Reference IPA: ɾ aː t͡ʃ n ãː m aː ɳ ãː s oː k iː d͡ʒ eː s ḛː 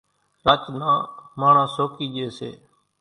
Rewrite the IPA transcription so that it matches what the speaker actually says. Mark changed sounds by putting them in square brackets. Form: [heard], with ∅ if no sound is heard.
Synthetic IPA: ɾ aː t͡ʃ n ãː m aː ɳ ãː s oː k iː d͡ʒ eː s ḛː